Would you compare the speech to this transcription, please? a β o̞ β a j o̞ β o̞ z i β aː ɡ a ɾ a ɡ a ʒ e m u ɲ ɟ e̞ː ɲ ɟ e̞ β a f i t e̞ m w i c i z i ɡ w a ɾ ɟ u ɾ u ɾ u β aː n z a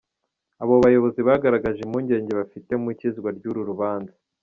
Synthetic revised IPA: a β o̞ β a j o̞ β o̞ z i β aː ɡ a ɾ a ɡ a ʒ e m u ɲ ɟ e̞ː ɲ ɟ e̞ β a f i t e̞ m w i c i z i ɡ w a ɾ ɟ u ɾ u ɾ u β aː n z a